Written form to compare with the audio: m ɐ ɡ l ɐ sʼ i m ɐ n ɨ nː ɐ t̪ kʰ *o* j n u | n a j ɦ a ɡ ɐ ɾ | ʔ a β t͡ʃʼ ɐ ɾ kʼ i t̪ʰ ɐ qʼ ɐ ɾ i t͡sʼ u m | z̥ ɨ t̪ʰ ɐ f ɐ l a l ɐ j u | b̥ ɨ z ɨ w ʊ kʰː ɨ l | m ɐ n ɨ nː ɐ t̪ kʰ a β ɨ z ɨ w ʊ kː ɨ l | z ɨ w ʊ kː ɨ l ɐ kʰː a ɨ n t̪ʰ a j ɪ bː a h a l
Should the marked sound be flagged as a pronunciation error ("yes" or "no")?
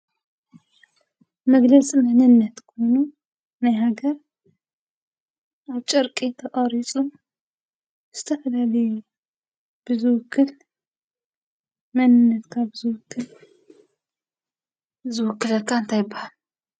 no